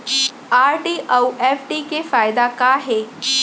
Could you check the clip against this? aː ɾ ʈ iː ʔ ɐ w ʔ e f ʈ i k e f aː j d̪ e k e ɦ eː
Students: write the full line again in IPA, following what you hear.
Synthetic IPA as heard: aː ɾ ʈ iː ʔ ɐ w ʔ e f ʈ i k e f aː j d̪ a k a ɦ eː